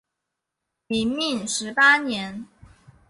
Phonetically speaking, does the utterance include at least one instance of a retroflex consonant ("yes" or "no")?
yes